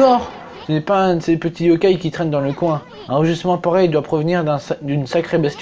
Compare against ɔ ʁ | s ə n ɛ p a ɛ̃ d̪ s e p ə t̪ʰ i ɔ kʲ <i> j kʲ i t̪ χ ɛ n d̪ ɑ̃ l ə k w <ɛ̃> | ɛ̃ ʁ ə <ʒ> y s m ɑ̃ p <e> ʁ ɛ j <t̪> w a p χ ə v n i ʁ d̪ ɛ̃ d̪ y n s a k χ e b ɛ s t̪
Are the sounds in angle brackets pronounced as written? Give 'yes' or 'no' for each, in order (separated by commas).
no, yes, yes, no, no